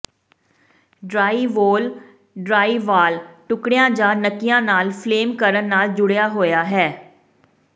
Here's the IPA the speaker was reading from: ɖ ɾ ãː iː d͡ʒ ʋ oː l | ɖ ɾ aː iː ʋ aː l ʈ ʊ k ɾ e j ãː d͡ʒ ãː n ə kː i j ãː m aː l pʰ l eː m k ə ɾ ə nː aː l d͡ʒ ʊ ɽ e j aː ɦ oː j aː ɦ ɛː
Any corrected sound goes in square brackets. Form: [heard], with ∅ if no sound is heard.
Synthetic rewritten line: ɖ ɾ [aː] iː [∅] ʋ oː l | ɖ ɾ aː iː ʋ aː l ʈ ʊ k [ɽ] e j ãː d͡ʒ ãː n ə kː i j ãː [n] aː l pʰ l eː m k ə ɾ ə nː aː l d͡ʒ ʊ ɽ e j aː ɦ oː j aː ɦ ɛː